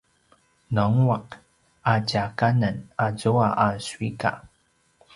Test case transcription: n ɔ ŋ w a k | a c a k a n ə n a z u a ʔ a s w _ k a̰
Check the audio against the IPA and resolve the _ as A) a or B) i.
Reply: B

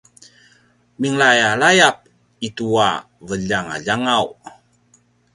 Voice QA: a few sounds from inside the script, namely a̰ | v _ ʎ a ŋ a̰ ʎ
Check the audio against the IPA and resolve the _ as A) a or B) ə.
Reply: B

